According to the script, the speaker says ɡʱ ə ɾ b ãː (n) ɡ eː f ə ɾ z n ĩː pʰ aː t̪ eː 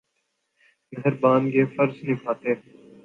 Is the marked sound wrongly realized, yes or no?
no